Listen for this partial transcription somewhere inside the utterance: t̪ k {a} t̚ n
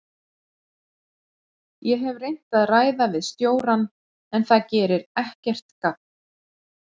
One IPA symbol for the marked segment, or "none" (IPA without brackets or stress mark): a